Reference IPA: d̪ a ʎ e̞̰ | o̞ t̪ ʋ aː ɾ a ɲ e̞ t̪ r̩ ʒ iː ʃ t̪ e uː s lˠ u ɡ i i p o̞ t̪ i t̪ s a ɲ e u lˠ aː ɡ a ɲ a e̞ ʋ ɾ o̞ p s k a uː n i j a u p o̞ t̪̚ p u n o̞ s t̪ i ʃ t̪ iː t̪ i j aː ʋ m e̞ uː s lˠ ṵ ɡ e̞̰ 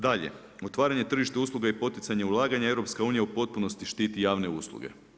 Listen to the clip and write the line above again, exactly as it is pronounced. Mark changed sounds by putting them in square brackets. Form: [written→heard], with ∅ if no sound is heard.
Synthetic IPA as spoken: d̪ a ʎ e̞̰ | o̞ t̪ ʋ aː ɾ a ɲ e̞ t̪ r̩ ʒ [iː→i] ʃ t̪ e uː s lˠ u ɡ [i→a] i p o̞ t̪ i t̪ s a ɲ e u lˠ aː ɡ a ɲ a e̞ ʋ ɾ o̞ p s k a uː n i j a u p o̞ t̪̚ p u n o̞ s t̪ i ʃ t̪ iː t̪ i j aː ʋ [m→n] e̞ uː s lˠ ṵ ɡ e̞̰

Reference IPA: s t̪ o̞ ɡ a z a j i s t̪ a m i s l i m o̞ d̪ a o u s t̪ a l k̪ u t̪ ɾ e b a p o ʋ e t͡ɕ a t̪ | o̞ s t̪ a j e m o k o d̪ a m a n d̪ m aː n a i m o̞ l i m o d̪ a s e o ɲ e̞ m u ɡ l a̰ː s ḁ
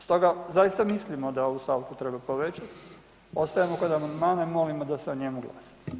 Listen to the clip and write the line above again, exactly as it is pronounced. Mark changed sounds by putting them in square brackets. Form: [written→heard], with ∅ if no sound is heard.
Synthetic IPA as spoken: s t̪ o̞ ɡ a z a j i s t̪ a m i s l i m o̞ d̪ a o u s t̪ a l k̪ u t̪ ɾ e b a p o ʋ e t͡ɕ a t̪ | o̞ s t̪ a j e m o k o d̪ a m a n d̪ m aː n a i m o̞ l i m o d̪ a s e o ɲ e̞ m u ɡ l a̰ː s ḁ

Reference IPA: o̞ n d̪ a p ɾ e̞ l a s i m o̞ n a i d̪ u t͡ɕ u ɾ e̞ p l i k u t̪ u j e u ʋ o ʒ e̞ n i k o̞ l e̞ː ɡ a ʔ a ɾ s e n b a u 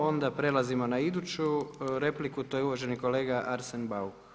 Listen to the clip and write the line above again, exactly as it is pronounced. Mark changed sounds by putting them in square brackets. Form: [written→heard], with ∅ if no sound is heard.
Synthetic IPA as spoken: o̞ n d̪ a p ɾ e̞ l a [s→z] i m o̞ n a i d̪ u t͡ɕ u ɾ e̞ p l i k u t̪ [u→o] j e u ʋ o ʒ e̞ n i k o̞ l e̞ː ɡ a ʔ a ɾ s e n b a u

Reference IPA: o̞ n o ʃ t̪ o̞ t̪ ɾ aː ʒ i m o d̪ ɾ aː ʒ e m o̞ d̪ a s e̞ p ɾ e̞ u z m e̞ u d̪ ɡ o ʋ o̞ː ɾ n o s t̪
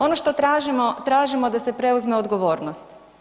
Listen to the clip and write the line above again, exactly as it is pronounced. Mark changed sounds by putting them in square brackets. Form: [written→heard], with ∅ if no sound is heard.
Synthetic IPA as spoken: o̞ n o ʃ t̪ o̞ t̪ ɾ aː ʒ i m o [d̪→t̪] ɾ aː ʒ [e→i] m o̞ d̪ a s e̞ p ɾ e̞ u z m e̞ [u→o] d̪ ɡ o ʋ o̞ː ɾ n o s t̪

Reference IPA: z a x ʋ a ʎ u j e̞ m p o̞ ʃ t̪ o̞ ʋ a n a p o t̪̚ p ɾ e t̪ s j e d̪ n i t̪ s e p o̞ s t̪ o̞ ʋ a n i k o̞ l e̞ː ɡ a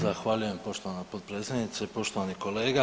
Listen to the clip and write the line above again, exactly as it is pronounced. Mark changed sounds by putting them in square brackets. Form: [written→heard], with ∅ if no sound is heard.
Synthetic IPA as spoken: z a x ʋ a ʎ u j e̞ m p o̞ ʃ t̪ o̞ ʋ a n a p o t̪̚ p ɾ e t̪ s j e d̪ n i t̪ s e p o̞ [s→ʃ] t̪ o̞ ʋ a n i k o̞ l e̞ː ɡ a

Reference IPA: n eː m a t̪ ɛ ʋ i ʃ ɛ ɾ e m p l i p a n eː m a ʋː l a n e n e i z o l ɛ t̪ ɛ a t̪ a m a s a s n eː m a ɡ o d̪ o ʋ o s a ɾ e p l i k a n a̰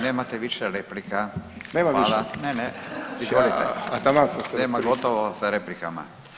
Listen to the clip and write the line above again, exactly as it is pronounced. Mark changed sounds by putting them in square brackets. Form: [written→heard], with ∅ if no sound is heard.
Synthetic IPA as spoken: n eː m a t̪ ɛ ʋ i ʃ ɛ ɾ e [m→∅] p l i [p→k] a n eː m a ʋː l a n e n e i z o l [ɛ→i] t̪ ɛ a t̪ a m a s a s n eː m a ɡ o [d̪→t̪] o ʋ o s a ɾ e p l i k a [n→m] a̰

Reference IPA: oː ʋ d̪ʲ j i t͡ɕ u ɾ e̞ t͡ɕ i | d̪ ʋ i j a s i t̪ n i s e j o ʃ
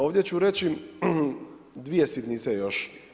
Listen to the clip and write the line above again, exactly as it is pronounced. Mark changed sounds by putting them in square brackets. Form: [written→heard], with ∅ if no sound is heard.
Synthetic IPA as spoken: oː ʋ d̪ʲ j [i→e] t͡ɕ u ɾ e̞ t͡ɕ i | d̪ ʋ i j [a→e] s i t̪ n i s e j o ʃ

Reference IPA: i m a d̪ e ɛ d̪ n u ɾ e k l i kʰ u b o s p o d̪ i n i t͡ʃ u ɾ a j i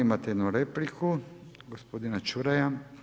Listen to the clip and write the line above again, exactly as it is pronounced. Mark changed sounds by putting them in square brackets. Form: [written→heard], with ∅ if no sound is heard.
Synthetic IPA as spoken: i m a [d̪→t̪] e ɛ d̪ n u ɾ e [k→p] l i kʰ u [b→ɡ] o s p o d̪ i n [i→a] t͡ʃ u ɾ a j [i→a]

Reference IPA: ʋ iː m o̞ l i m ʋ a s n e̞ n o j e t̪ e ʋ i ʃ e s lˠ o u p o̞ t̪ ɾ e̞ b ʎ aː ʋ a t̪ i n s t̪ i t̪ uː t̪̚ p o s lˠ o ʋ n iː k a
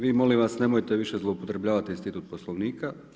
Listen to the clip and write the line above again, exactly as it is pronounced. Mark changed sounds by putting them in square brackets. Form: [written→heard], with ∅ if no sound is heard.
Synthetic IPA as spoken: ʋ iː m o̞ l i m ʋ a s n e̞ [n→m] o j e t̪ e ʋ i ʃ e [s→z] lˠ o u p o̞ t̪ ɾ e̞ b ʎ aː ʋ a t̪ i n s t̪ i t̪ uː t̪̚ p o s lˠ o ʋ n iː k a

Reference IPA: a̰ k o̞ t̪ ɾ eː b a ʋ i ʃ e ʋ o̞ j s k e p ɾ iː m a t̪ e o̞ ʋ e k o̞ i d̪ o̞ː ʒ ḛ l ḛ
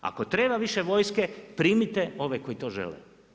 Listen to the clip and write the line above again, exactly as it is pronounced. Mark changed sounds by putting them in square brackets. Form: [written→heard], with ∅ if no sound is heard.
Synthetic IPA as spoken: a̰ k o̞ t̪ ɾ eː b a ʋ i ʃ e ʋ o̞ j s k e p ɾ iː m [a→i] t̪ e o̞ ʋ e k o̞ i [d̪→t̪] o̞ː ʒ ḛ l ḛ

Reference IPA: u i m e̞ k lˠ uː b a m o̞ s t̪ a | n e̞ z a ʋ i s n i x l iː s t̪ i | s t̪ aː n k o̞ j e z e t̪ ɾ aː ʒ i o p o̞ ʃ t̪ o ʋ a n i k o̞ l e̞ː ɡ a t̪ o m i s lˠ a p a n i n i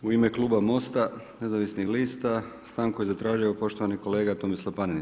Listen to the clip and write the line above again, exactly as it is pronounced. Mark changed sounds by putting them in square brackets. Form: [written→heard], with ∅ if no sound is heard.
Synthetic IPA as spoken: u i m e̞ k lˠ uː b a m o̞ s t̪ a | n e̞ z a ʋ i s n i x l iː s t̪ [i→a] | s t̪ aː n k o̞ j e z [e→a] t̪ ɾ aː ʒ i o p o̞ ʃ t̪ o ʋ a n i k o̞ l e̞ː ɡ a t̪ o m i s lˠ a p a n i n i

